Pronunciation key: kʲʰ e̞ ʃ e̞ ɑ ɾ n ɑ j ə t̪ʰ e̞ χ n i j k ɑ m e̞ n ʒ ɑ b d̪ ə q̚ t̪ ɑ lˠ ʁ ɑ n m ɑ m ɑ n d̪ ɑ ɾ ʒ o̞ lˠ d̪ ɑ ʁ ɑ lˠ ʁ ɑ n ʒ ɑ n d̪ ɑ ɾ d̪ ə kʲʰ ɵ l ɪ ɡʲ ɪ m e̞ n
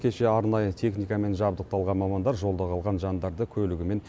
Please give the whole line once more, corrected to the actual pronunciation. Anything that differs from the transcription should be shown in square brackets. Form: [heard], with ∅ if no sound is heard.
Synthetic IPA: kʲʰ e̞ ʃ e̞ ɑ ɾ n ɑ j ə t̪ʰ e̞ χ n i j k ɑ m e̞ n ʒ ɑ b d̪ ə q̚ t̪ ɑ lˠ ʁ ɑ n m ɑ m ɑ n d̪ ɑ ɾ ʒ o̞ lˠ d̪ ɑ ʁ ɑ lˠ ʁ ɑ n ʒ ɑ n d̪ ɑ ɾ d̪ ə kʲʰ ɵ l ɪ ɡʲ ɪ m e̞ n